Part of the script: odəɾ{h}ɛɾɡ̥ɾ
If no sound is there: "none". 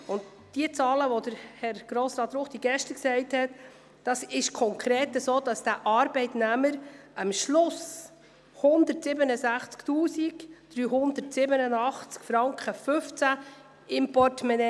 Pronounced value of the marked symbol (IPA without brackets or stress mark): h